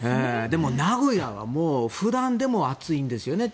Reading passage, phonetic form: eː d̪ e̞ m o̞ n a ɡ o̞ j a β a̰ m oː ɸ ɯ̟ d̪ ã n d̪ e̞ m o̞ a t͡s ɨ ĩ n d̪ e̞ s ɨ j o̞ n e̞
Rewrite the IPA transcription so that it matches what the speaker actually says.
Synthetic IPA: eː d̪ e̞ m o̞ n a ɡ o̞ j a β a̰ m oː ɸ ɯ̟ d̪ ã n d̪ e̞ m o̞ a t͡s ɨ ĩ n d̪ e̞ s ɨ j o̞ n e̞